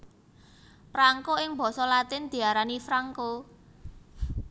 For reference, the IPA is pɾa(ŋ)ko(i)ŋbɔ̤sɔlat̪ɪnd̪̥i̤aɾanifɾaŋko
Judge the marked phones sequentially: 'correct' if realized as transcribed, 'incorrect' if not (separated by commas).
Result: correct, incorrect